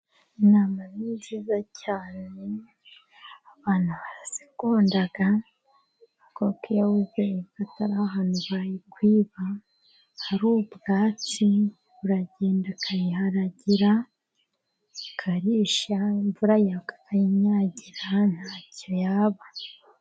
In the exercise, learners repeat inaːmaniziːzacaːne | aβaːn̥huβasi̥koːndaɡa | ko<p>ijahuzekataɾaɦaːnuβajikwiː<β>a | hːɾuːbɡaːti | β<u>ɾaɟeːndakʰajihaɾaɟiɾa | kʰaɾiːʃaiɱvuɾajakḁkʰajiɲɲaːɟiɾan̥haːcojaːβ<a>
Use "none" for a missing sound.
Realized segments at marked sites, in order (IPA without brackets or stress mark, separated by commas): k, β, u, a